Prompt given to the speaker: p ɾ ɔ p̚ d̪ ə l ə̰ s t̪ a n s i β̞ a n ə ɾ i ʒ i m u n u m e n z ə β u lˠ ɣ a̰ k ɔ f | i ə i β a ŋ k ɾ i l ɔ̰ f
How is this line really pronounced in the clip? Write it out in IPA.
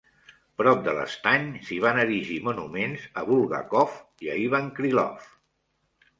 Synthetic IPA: p ɾ ɔ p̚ d̪ ə l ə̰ s t̪ a ɲ s i β̞ a n ə ɾ i ʒ i m u n u m e n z ə β u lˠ ɣ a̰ k ɔ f | i ə i β a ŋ k ɾ i l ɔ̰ f

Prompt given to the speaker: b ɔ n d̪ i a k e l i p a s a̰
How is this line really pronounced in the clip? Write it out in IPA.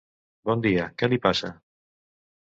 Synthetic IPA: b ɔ n d̪ i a k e l i p a s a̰

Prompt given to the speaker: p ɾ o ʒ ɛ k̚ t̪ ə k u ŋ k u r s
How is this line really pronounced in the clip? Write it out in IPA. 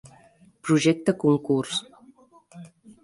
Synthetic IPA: p ɾ u ʒ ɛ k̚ t̪ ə k u ŋ k u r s

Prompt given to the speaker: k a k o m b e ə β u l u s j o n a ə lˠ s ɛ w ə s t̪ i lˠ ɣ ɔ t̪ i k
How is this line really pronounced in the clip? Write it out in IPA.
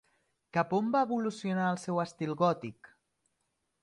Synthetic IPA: k a p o m b a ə β u l u s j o n a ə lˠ s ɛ w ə s t̪ i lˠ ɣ ɔ t̪ i k

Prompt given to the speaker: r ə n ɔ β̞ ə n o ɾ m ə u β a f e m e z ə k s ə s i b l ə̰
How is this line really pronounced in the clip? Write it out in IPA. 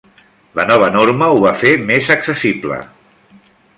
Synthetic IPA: l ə n ɔ β̞ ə n o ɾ m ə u β a f e m e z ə k s ə s i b l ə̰

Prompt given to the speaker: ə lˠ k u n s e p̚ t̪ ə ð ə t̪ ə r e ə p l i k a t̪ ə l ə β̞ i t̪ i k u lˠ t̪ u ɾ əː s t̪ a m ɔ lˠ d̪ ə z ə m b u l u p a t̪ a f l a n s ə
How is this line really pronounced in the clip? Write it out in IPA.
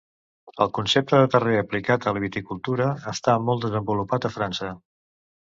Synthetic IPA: ə lˠ k u n s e p̚ t̪ ə ð ə t̪ ə r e ə p l i k a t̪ ə l ə β̞ i t̪ i k u lˠ t̪ u ɾ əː s t̪ a m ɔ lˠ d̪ ə z ə m b u l u p a t̪ ə f ɾ a n s ə

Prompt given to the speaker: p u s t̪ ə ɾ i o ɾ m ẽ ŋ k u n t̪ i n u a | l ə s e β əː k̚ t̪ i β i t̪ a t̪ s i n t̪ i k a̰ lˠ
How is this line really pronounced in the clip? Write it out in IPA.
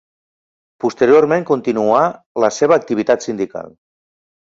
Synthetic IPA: p u s t̪ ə ɾ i o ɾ m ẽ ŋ k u n t̪ i n u a | l ə s e β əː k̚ t̪ i β i t̪ a t̪ s i n d̪ i k a̰ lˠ

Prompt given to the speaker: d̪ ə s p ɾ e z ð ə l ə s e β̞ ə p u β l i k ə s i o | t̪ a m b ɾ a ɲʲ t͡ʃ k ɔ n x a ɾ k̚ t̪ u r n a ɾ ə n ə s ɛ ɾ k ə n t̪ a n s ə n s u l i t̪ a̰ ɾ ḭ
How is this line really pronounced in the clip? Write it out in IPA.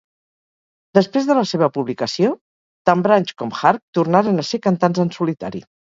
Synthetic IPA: d̪ ə s p ɾ e z ð ə l ə s e β̞ ə p u β l i k ə s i o | t̪ a m b ɾ a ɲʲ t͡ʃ k ɔ m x a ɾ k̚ t̪ u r n a ɾ ə n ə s e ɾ k ə n t̪ a n z ə n s u l i t̪ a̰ ɾ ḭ

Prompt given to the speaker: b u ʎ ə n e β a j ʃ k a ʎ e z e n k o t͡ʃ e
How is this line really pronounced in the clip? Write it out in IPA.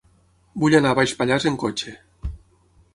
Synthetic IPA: b u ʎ a n a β a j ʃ p a ʎ a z e ŋ k o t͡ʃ e

